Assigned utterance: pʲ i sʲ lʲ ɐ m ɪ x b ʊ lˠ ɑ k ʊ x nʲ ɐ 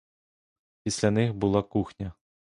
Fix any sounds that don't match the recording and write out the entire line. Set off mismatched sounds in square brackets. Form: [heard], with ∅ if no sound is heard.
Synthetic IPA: pʲ i sʲ lʲ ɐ [n] ɪ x b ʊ lˠ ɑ k [u] x nʲ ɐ